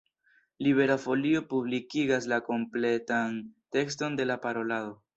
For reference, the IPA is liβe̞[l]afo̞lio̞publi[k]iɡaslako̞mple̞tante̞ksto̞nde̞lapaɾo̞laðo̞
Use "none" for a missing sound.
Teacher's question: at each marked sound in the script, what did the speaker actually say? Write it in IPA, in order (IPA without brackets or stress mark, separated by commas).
ɾ, k